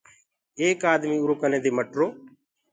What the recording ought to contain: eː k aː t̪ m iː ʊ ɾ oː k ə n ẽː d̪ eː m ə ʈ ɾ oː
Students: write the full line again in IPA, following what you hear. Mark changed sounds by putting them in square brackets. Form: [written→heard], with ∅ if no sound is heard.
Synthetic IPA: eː k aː [t̪→d̪] m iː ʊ ɾ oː k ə n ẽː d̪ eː m ə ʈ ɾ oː